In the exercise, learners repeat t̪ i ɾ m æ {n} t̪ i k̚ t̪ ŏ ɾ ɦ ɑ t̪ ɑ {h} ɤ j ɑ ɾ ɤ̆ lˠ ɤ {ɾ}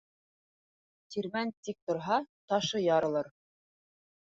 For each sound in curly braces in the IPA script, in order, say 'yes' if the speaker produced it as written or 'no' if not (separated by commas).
yes, no, yes